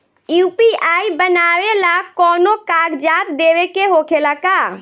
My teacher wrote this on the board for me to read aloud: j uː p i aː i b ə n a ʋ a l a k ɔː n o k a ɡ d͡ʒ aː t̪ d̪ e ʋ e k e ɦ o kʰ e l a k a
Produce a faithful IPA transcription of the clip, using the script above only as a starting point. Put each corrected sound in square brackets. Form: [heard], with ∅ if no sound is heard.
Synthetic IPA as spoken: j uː p i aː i b ə n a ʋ [e] l a k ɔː n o k a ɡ d͡ʒ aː t̪ d̪ e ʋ e k e ɦ o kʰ e l a k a